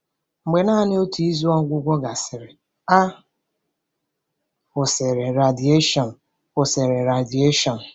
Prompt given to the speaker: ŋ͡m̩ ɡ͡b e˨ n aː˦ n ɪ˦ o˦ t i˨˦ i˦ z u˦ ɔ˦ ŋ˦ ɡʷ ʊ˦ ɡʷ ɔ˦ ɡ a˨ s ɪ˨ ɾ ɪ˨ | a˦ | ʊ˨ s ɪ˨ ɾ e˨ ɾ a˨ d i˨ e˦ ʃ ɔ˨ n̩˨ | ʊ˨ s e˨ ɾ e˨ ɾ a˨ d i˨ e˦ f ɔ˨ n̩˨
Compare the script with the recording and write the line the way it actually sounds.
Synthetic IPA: ŋ͡m̩ ɡ͡b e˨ n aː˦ n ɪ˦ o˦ t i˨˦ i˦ z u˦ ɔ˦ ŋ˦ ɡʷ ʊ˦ ɡʷ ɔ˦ ɡ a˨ s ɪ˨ ɾ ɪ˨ | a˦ | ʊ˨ s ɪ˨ ɾ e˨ ɾ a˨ d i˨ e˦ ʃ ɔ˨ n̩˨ | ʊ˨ s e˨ ɾ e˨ ɾ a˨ d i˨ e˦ ʃ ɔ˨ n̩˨